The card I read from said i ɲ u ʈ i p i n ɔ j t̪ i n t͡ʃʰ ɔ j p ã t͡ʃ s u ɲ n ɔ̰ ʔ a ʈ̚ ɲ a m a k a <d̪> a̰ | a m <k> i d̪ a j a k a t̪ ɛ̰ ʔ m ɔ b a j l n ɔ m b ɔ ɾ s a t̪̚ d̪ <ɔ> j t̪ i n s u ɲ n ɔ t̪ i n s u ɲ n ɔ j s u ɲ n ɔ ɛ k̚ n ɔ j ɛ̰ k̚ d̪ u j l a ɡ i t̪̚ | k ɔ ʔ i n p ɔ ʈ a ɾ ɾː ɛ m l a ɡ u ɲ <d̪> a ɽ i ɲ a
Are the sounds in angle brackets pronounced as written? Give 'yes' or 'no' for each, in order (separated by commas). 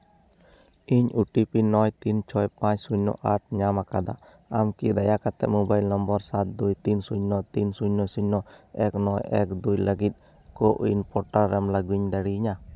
yes, yes, no, yes